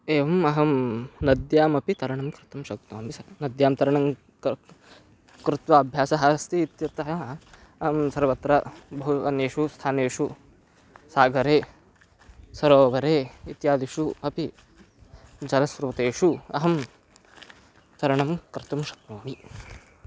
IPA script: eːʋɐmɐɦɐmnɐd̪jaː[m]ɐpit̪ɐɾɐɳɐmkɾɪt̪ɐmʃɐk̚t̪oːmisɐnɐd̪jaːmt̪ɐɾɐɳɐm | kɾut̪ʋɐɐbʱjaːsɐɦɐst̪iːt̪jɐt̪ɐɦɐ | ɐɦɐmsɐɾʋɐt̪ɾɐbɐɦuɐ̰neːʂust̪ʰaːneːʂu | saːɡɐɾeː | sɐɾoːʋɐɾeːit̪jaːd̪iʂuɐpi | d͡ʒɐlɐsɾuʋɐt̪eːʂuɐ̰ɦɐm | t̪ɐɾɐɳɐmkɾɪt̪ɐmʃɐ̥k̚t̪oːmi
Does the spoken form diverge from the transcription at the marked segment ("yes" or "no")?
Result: no